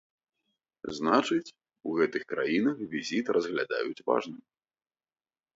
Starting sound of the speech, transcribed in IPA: z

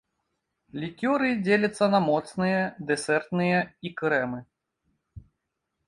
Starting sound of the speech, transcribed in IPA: lʲ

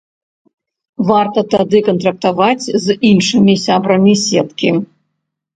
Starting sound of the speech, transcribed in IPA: v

